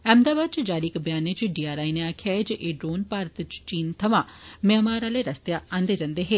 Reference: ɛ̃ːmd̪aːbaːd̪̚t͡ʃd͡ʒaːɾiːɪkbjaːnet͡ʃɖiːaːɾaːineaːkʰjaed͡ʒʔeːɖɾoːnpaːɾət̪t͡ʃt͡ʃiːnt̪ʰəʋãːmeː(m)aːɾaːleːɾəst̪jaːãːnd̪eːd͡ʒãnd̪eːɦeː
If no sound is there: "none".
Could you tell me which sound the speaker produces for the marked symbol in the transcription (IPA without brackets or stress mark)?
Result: m